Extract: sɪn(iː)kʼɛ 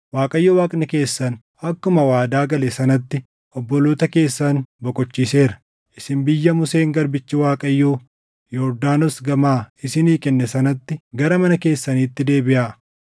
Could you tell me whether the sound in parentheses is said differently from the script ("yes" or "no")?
no